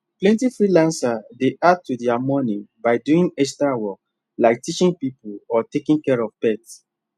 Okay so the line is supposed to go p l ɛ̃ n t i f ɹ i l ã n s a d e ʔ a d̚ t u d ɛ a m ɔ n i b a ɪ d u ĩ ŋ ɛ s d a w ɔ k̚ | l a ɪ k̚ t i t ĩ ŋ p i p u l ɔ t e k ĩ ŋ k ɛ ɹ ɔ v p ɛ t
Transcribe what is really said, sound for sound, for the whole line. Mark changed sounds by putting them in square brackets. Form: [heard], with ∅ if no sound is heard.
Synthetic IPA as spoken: p l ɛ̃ n t i f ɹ i l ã n s a d e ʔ a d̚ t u d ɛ a m ɔ n i b a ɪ d u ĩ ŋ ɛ s [t] a w ɔ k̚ | l a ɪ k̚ t i [t͡ʃ] ĩ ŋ p i p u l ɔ t e k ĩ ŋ k ɛ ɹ ɔ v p ɛ t